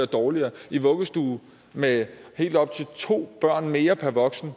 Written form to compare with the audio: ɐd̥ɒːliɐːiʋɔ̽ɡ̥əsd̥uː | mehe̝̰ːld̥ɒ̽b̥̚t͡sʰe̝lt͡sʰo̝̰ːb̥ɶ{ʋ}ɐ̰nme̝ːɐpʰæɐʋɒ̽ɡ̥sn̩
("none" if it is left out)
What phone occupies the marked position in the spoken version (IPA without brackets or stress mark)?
none